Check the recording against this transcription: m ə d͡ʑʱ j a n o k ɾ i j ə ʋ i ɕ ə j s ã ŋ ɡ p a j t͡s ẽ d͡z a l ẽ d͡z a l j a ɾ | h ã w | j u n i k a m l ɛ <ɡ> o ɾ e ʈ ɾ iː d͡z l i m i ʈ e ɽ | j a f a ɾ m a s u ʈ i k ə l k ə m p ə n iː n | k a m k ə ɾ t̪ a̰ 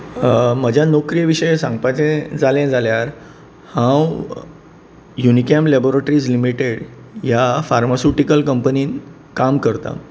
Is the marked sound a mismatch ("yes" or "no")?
yes